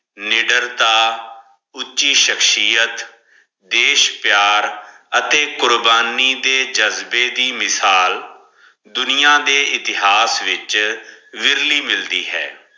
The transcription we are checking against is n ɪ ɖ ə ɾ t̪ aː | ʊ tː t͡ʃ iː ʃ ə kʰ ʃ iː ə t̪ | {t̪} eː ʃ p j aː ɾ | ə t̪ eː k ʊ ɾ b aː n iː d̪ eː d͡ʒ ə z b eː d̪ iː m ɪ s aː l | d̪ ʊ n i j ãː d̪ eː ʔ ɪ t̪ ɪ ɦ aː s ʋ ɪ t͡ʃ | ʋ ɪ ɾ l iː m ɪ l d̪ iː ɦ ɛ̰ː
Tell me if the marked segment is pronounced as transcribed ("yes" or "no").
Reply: no